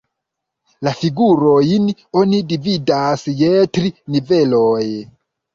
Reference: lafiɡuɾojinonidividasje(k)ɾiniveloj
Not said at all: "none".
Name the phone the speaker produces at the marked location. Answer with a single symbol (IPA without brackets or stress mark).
t